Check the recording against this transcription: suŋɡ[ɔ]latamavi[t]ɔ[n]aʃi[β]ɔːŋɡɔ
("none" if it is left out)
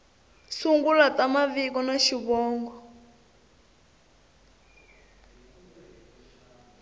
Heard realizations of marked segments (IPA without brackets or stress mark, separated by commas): u, k, n, β